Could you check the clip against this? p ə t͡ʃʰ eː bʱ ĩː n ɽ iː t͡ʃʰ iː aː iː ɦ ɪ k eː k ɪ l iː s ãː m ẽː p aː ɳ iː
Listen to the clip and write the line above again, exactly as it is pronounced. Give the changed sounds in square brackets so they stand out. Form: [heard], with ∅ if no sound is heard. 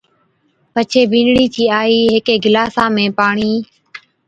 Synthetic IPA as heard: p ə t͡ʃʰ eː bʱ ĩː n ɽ iː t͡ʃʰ iː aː iː ɦ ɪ k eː [ɡ] ɪ l [aː] s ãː m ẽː p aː ɳ iː